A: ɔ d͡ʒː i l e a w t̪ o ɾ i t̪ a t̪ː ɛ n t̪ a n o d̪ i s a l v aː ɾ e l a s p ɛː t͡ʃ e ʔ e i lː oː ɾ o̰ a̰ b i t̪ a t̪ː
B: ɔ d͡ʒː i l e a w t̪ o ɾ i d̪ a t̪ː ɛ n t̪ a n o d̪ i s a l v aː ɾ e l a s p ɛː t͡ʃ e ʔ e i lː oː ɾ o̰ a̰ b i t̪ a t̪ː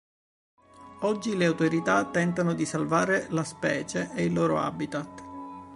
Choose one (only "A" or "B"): A